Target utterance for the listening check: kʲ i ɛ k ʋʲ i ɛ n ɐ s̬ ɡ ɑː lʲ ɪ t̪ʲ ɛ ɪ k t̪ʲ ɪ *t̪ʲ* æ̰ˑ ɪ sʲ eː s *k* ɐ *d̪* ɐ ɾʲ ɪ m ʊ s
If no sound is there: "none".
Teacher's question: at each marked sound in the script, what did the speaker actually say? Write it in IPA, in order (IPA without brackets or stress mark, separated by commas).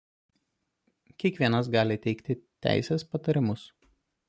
t̪ʲ, p, t̪